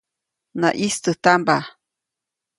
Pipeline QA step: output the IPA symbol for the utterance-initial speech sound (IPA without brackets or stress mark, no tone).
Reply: n